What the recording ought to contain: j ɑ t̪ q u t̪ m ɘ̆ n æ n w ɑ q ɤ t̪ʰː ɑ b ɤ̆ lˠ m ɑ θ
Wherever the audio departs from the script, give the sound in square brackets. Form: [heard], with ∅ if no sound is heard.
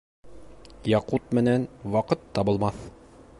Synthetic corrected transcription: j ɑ [∅] q u t̪ m ɘ̆ n æ n w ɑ q ɤ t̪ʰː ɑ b ɤ̆ lˠ m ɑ θ